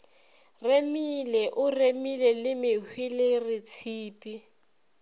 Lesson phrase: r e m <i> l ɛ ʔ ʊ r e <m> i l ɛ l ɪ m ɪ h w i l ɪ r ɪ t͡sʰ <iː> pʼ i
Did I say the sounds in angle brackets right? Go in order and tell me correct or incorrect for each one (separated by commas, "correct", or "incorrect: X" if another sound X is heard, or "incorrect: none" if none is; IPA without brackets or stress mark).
correct, correct, correct